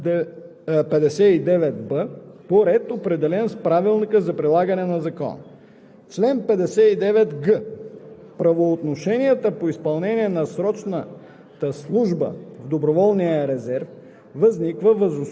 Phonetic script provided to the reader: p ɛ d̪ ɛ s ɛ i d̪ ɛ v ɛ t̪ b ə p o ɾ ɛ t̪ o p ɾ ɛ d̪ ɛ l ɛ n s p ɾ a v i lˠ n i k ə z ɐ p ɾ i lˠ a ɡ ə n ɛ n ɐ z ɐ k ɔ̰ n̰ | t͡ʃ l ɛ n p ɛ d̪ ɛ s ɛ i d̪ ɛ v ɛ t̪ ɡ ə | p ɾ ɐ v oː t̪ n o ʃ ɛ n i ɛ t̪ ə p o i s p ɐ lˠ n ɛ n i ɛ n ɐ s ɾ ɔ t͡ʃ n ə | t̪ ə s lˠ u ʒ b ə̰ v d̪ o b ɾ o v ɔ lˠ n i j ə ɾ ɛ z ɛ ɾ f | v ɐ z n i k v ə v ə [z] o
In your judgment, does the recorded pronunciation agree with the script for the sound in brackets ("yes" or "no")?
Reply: yes